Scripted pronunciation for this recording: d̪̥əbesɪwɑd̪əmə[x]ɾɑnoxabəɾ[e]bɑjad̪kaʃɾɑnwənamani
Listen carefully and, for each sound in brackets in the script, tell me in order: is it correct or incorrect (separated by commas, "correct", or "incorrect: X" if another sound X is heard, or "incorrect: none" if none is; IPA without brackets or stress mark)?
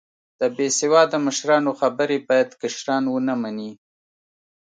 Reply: incorrect: ʃ, correct